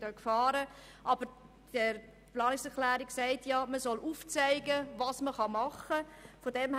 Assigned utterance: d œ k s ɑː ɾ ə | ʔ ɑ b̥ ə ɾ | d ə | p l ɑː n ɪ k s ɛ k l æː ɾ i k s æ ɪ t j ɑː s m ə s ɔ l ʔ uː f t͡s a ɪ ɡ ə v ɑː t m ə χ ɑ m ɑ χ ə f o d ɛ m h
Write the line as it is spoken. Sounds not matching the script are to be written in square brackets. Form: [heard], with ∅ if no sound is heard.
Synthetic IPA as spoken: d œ k [f] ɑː ɾ ə | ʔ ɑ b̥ ə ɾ | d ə | p l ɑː n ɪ k s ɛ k l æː ɾ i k s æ ɪ t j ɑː [∅] m ə s ɔ l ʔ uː f t͡s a ɪ ɡ ə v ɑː [s] m ə χ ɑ m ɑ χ ə f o d ɛ m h